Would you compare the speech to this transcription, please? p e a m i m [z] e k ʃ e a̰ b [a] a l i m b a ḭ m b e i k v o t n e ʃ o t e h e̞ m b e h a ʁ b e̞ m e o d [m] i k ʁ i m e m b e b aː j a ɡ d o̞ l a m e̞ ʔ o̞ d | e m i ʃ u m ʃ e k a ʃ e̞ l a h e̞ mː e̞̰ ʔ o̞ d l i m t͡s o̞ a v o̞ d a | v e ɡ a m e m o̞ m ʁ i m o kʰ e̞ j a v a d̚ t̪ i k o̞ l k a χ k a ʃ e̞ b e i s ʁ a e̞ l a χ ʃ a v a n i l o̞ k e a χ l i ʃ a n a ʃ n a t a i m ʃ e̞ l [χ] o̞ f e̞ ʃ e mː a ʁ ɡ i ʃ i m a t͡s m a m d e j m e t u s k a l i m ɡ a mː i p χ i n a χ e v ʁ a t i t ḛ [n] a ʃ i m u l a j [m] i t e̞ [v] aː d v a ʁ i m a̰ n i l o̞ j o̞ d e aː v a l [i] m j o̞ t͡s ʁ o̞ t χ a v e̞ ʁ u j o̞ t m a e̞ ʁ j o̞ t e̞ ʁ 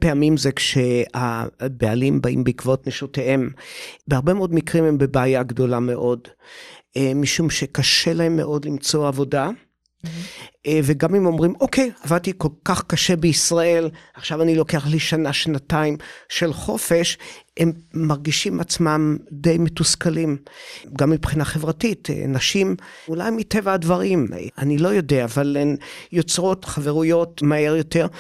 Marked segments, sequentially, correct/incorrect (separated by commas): correct, incorrect, correct, correct, correct, correct, correct, incorrect